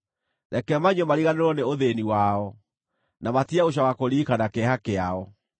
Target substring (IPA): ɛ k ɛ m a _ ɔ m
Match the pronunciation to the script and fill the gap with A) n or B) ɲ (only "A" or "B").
B